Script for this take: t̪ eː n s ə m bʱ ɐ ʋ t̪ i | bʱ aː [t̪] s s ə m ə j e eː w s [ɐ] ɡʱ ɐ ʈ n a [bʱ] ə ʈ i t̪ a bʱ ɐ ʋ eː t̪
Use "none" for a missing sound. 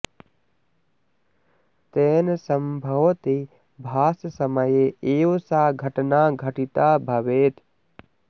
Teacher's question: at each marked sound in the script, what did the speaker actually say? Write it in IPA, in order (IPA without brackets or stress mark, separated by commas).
none, a, ɡʱ